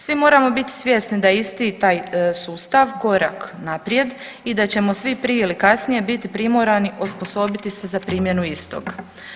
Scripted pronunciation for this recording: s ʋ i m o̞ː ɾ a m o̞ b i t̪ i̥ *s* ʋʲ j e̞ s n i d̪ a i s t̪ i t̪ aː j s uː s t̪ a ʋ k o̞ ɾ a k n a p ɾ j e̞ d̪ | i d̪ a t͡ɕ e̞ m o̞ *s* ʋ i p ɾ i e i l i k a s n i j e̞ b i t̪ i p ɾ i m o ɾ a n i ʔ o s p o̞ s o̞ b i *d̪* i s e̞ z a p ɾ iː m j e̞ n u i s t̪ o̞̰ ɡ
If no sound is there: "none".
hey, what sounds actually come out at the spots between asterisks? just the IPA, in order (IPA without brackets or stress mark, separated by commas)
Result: s, s, t̪